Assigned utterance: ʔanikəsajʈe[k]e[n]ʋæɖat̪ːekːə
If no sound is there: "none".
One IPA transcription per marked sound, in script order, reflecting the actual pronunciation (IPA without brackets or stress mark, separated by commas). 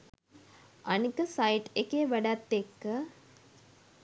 k, none